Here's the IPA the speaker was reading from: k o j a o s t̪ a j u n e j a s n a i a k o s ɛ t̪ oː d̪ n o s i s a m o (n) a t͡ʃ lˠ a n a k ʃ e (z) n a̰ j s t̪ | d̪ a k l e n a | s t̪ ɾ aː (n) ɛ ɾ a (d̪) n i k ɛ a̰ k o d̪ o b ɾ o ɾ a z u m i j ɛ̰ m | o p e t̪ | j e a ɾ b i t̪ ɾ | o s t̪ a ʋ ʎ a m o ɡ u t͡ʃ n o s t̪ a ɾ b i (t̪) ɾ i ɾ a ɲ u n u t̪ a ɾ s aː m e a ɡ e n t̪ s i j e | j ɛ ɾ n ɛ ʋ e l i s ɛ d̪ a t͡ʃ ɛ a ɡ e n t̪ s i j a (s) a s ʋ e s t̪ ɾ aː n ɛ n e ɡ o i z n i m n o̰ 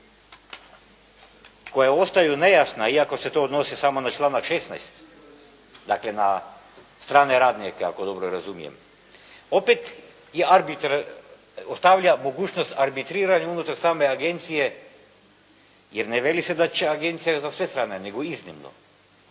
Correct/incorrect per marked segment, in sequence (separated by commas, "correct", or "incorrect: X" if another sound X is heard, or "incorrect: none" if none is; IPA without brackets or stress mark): correct, incorrect: s, correct, correct, correct, incorrect: z